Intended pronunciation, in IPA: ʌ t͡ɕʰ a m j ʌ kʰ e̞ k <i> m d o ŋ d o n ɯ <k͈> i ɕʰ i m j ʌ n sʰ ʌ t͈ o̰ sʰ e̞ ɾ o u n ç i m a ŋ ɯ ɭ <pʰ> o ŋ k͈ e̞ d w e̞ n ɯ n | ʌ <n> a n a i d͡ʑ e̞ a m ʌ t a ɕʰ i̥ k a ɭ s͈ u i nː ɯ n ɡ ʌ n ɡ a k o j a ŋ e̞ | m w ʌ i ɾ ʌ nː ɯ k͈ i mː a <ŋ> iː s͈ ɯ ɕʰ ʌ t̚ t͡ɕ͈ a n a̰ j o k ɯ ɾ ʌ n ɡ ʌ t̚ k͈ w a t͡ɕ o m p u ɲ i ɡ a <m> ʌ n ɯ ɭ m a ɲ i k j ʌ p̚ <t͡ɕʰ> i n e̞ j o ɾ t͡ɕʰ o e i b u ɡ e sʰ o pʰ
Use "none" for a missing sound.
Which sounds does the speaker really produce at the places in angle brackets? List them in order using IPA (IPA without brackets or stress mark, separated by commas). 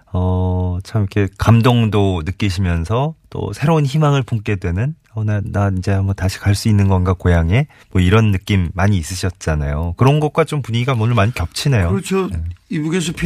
a, k͈, p, n, ɲ, m, t͡ɕʰ